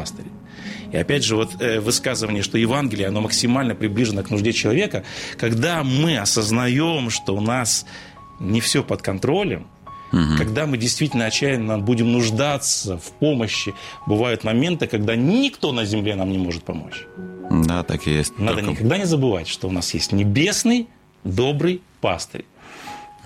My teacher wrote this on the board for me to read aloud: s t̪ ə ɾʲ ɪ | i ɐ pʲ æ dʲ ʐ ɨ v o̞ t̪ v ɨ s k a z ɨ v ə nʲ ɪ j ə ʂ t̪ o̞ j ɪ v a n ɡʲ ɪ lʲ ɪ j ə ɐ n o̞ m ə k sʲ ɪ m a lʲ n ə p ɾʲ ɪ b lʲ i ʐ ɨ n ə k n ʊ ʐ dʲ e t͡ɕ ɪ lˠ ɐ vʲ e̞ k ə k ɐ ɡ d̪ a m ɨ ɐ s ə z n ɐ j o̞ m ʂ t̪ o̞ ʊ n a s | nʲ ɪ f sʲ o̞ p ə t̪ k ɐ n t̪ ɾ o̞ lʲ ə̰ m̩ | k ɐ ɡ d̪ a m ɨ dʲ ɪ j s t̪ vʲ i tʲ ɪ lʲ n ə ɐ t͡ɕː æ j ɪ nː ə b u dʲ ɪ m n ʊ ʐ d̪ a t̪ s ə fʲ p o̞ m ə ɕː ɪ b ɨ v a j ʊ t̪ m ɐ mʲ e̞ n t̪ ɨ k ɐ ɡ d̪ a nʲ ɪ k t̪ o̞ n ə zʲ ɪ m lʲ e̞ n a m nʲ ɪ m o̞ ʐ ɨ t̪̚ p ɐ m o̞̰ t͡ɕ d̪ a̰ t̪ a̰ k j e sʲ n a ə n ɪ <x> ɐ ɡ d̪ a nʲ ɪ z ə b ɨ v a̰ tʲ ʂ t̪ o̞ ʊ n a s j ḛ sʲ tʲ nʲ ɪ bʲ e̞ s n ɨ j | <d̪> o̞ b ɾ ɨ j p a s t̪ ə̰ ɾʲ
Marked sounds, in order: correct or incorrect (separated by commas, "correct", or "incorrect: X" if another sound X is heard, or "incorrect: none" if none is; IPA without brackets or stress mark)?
incorrect: k, correct